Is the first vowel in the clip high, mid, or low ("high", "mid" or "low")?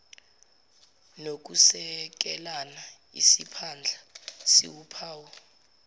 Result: mid